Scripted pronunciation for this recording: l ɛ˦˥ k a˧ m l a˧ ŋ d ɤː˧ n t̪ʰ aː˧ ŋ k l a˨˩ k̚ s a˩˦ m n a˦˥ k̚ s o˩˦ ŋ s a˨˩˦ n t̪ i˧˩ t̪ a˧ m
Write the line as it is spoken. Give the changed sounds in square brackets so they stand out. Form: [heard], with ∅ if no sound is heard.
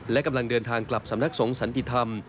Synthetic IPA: l ɛ˦˥ k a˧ m l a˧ ŋ d ɤː˧ n t̪ʰ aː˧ ŋ k l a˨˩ [p̚] s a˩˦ m n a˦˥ k̚ s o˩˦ ŋ s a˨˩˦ n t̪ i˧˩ [t̪ʰ] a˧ m